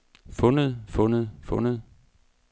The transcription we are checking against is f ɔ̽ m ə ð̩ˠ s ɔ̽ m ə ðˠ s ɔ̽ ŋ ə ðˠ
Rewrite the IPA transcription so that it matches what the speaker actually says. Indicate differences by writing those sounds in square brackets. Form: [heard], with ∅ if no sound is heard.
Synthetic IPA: f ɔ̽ [n] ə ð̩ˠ [f] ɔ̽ [n] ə ðˠ [f] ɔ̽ [n] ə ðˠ